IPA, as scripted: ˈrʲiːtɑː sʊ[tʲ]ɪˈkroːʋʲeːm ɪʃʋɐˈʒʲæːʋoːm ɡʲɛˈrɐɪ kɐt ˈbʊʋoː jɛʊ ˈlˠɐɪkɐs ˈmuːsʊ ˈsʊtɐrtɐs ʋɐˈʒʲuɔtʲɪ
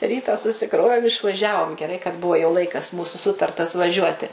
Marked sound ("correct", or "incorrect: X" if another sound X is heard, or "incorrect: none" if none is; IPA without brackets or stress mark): incorrect: sʲ